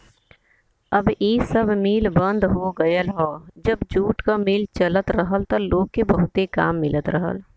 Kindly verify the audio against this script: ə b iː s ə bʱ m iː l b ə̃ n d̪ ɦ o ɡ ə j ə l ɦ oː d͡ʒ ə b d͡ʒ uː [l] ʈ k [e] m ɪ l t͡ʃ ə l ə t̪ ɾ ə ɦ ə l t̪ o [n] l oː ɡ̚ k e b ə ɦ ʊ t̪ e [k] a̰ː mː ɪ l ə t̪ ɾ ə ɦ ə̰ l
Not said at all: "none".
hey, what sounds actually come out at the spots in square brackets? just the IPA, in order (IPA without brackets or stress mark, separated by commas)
none, a, none, k